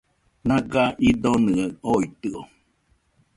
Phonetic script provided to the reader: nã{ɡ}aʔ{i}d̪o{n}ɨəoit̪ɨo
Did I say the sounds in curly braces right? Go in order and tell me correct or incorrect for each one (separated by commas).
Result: correct, correct, correct